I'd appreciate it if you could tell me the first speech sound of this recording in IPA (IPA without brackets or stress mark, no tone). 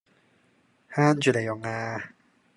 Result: h